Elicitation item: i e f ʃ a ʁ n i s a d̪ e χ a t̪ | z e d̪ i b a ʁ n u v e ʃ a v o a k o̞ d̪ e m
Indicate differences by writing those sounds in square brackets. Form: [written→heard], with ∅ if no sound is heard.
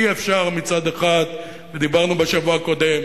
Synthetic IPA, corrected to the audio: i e f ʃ a ʁ [n→m] i [s→t͡s] a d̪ e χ a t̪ | [z→v] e d̪ i b a ʁ n u [v→b] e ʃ a v [o→u] a k o̞ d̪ e m